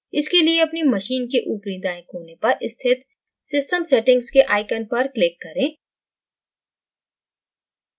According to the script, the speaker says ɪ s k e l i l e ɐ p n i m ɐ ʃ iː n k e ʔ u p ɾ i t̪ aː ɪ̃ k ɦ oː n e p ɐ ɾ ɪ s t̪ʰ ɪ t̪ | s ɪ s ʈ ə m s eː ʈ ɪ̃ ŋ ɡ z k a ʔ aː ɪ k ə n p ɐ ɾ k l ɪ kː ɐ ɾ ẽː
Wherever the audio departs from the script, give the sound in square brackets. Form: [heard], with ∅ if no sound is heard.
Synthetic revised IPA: ɪ s k e l i [∅] e ɐ p n i m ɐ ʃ iː n k e ʔ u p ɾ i [d̪] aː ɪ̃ k ɦ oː n e p ɐ ɾ ɪ s t̪ʰ ɪ t̪ | s ɪ s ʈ ə m s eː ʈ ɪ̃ ŋ ɡ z k [e] ʔ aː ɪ k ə n p ɐ ɾ k l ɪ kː ɐ ɾ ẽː